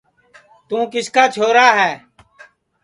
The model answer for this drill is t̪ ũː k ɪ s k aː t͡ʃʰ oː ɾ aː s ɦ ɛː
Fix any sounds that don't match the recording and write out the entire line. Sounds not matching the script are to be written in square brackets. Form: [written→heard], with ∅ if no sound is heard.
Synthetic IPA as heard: t̪ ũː k ɪ s k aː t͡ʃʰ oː ɾ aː [s→∅] ɦ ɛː